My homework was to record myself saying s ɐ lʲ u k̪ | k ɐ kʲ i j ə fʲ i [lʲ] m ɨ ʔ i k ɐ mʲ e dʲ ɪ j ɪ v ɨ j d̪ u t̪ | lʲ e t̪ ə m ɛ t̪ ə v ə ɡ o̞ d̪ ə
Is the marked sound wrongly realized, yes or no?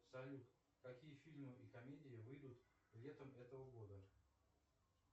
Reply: no